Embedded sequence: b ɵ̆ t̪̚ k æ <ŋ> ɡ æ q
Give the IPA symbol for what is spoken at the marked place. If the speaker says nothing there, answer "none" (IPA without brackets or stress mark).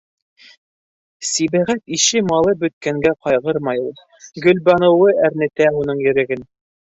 ŋ